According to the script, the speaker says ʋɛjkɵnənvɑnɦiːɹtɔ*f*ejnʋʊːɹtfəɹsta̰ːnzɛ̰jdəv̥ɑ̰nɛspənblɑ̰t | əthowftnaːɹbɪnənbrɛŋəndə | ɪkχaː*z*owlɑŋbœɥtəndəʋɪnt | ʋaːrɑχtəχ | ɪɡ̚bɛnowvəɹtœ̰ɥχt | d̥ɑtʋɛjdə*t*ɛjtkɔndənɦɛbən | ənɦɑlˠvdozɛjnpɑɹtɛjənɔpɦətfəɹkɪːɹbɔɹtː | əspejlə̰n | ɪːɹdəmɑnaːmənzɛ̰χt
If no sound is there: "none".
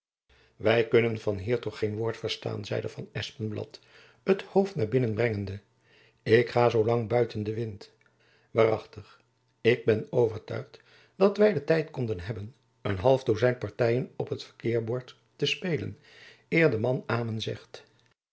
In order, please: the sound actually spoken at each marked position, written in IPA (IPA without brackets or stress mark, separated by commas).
χ, z, t